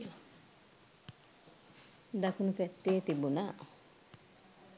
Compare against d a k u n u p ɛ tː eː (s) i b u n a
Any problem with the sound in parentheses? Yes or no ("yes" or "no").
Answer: yes